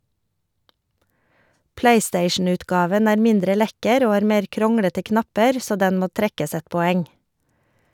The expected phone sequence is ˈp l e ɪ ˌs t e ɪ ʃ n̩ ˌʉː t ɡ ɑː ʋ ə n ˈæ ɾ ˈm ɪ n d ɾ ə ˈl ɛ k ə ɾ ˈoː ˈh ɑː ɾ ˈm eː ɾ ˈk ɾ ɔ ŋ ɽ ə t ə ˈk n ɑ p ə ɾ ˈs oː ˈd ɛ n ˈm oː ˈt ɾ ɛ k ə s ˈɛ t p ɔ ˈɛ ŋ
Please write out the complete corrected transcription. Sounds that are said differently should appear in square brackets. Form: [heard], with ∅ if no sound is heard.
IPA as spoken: ˈp l e ɪ ˌs t e ɪ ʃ n̩ ˌʉː t ɡ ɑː ʋ ə n [ˈæː] ɾ ˈm ɪ n d ɾ ə ˈl ɛ k ə ɾ ˈoː ˈh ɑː ɾ ˈm eː ɾ ˈk ɾ ɔ ŋ ɽ ə t ə ˈk n ɑ p ə ɾ ˈs oː ˈd ɛ n ˈm oː ˈt ɾ ɛ k ə s ˈɛ t p ɔ ˈɛ ŋ